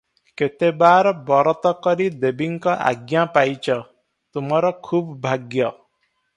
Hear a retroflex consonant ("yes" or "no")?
no